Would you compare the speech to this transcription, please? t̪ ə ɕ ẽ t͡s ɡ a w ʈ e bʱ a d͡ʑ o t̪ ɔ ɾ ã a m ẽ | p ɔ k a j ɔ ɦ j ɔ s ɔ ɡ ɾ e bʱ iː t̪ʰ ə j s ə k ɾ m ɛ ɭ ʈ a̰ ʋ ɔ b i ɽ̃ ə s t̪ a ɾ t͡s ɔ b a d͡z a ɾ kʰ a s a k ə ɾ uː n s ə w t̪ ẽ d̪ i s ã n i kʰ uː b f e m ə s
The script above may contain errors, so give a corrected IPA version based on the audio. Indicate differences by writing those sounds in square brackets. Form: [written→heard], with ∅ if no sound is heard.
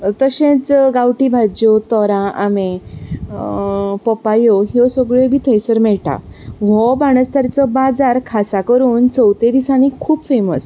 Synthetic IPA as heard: t̪ ə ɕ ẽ t͡s ɡ a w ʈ [e→i] bʱ a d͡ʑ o t̪ ɔ ɾ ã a m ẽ | p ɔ [k→p] a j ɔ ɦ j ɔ s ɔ ɡ [ɾ→ɭ] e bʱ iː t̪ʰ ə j s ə [k→∅] ɾ m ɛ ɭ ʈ a̰ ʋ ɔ b [i→a] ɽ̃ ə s t̪ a ɾ t͡s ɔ b a d͡z a ɾ kʰ a s a k ə ɾ uː n [s→t͡s] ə w t̪ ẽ d̪ i s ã n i kʰ uː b f e m ə s